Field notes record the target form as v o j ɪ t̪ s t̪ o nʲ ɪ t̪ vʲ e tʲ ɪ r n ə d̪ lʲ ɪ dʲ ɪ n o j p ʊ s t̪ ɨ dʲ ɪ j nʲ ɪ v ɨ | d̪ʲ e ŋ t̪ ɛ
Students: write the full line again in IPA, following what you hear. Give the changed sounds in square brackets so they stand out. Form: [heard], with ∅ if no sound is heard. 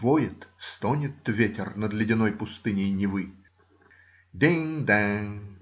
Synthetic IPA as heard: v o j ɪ t̪ s t̪ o nʲ ɪ t̪ vʲ e tʲ ɪ r n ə d̪ lʲ ɪ dʲ ɪ n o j p ʊ s t̪ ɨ [nʲ] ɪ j nʲ ɪ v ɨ | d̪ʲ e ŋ [d̪] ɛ